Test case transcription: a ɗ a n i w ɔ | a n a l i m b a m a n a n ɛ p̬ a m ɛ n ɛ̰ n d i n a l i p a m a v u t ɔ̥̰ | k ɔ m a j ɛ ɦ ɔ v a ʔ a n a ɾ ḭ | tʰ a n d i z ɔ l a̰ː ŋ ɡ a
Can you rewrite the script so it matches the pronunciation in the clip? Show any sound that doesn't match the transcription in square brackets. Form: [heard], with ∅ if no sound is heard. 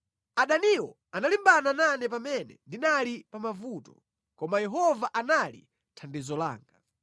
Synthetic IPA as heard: a ɗ a n i w ɔ | a n a l i m b a [n] a n a n ɛ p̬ a m ɛ n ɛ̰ n d i n a l i p a m a v u t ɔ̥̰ | k ɔ m a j ɛ ɦ ɔ v a ʔ a n a [l] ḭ | tʰ a n d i z ɔ l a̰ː ŋ ɡ a